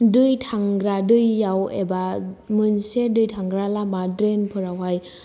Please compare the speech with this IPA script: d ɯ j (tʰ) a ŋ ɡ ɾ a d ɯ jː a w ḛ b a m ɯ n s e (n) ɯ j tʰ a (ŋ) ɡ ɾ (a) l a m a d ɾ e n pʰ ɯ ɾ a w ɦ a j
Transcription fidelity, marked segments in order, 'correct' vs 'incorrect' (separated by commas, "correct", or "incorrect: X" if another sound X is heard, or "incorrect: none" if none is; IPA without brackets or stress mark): correct, incorrect: d, correct, correct